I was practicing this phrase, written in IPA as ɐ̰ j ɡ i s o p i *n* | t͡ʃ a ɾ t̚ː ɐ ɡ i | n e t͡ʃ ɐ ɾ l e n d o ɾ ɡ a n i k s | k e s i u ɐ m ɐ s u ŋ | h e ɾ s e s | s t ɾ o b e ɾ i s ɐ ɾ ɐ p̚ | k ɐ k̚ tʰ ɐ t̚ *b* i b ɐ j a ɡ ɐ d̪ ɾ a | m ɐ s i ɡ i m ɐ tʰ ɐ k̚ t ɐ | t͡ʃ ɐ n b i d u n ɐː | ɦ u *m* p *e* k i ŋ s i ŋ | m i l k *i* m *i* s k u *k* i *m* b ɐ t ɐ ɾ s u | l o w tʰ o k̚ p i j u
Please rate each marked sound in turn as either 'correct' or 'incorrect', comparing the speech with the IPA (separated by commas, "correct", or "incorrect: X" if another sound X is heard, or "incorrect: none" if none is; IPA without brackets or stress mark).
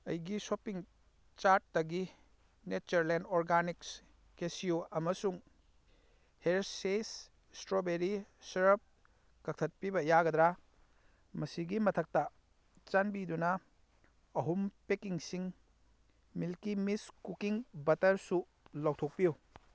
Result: incorrect: ŋ, incorrect: p, correct, correct, correct, correct, correct, incorrect: ŋ